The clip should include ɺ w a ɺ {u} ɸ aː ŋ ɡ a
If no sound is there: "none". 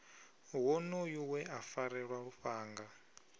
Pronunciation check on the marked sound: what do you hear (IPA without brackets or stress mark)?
u